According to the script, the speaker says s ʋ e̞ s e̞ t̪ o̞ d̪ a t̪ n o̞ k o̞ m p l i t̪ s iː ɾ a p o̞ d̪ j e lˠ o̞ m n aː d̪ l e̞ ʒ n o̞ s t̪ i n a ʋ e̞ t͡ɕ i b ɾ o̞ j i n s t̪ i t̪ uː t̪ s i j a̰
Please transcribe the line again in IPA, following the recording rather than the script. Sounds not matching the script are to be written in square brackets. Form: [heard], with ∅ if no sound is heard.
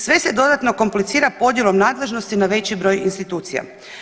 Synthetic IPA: s ʋ e̞ s e̞ [d̪] o̞ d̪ a t̪ n o̞ k o̞ m p l i t̪ s iː ɾ a p o̞ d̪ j e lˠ o̞ m n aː d̪ l e̞ ʒ n o̞ s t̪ i n a ʋ e̞ t͡ɕ i b ɾ o̞ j i n s t̪ i t̪ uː t̪ s i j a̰